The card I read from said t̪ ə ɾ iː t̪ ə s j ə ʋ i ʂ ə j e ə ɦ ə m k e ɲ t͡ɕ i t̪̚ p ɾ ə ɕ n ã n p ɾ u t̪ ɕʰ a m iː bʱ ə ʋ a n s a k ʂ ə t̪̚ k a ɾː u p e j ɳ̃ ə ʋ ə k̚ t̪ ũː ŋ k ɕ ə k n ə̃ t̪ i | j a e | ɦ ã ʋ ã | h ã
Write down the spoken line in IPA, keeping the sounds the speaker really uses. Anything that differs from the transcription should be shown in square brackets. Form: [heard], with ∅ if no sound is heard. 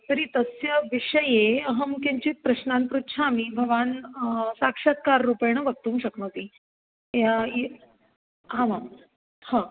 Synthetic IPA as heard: t̪ ə ɾ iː t̪ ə s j ə ʋ i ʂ ə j e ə ɦ ə m k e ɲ t͡ɕ i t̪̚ p ɾ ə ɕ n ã n p ɾ u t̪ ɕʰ a m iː bʱ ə ʋ a n s a k ʂ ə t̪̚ k a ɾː u p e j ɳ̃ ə ʋ ə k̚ t̪ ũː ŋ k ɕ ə k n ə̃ t̪ i | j a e | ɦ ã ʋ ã | h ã